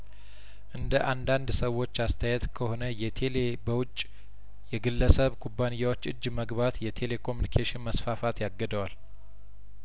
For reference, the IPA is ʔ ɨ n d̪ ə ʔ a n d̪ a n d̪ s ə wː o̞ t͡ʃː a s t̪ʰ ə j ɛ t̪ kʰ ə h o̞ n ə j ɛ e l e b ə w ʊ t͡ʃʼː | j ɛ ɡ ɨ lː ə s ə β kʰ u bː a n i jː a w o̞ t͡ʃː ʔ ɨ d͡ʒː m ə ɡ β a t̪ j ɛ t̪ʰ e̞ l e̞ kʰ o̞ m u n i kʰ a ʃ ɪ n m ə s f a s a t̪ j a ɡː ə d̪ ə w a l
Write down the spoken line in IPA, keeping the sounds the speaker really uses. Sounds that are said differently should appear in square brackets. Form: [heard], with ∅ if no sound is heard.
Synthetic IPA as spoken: ʔ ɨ n d̪ ə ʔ a n d̪ a n d̪ s ə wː o̞ t͡ʃː a s t̪ʰ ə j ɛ t̪ kʰ ə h o̞ n ə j ɛ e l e b ə w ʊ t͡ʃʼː | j ɛ ɡ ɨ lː ə s ə β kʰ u bː a n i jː a w o̞ t͡ʃː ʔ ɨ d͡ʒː m ə ɡ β a t̪ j ɛ t̪ʰ e̞ l e̞ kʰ o̞ m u n i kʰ [e] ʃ ɪ n m ə s f a [f] a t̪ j a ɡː ə d̪ ə w a l